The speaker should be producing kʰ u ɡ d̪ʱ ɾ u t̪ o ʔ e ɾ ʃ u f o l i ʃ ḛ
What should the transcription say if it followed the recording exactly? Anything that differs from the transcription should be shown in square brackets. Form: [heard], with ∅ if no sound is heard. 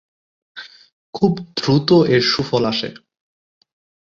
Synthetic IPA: kʰ u [b] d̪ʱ ɾ u t̪ o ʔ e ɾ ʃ u f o l [a] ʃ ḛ